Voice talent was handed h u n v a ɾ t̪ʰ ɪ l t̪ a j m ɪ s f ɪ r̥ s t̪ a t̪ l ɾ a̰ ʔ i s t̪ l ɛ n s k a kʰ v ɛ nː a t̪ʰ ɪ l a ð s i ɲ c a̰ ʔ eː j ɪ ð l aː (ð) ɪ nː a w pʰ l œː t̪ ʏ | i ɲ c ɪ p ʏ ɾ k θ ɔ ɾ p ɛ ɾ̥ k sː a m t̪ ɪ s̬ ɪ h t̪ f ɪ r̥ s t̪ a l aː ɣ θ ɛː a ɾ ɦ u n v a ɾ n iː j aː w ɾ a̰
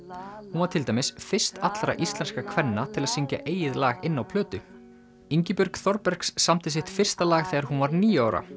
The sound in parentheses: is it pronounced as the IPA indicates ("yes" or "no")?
no